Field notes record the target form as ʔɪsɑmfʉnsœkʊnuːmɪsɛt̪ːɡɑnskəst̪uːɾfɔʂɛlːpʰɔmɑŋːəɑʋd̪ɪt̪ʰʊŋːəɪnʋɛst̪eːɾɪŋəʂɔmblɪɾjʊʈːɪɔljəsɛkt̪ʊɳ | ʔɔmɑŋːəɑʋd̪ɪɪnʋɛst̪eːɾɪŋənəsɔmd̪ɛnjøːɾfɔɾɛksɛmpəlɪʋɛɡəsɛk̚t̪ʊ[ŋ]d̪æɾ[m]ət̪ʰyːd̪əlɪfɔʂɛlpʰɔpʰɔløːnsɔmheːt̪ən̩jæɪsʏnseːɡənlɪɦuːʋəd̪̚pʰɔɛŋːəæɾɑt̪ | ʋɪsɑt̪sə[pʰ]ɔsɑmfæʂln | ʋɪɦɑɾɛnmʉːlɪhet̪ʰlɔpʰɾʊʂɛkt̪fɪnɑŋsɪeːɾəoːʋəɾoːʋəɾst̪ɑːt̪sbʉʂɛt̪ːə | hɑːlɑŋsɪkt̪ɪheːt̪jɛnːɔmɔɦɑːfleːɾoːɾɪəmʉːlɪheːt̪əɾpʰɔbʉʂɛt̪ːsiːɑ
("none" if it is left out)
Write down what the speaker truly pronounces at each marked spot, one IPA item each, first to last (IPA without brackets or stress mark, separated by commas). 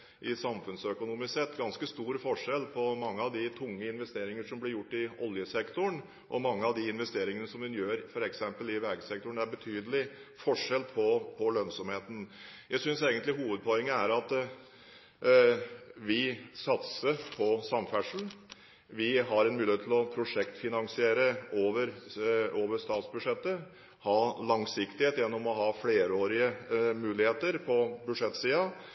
ɳ, b, pʰ